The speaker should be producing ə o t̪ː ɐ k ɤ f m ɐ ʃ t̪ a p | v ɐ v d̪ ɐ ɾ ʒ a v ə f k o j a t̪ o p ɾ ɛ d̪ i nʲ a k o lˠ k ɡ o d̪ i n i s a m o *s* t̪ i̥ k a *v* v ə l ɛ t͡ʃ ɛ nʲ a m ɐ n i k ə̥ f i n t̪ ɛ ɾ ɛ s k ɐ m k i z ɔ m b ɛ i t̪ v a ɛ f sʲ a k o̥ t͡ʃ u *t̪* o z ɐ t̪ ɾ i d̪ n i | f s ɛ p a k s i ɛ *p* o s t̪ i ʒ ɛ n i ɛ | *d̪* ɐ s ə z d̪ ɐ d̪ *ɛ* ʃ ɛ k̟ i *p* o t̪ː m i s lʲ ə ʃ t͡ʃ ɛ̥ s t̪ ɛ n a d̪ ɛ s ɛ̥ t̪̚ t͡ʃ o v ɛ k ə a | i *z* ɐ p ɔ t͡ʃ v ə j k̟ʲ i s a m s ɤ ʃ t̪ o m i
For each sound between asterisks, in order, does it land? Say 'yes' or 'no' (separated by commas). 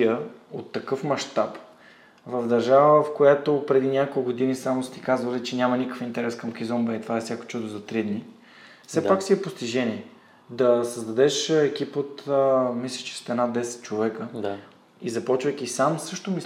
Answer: yes, no, no, yes, yes, yes, yes, yes